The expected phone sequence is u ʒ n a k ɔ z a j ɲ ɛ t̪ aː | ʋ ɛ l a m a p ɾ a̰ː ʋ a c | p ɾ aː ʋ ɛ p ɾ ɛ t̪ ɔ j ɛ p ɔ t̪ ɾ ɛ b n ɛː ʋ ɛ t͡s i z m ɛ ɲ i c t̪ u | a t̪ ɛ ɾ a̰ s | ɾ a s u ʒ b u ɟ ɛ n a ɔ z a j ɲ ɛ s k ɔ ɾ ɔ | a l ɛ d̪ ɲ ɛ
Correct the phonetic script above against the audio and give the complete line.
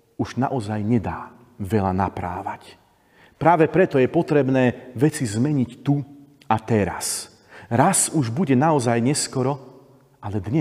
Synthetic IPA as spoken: u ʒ n a ʔ ɔ z a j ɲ ɛ d̪ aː | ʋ ɛ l a n a p ɾ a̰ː ʋ a c | p ɾ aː ʋ ɛ p ɾ ɛ t̪ ɔ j ɛ p ɔ t̪ ɾ ɛ b n ɛː ʋ ɛ t͡s i z m ɛ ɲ i c t̪ u | a t̪ ɛ ɾ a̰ s | ɾ a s u ʒ b u ɟ ɛ n a ɔ z a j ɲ ɛ s k ɔ ɾ ɔ | a l ɛ d̪ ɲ ɛ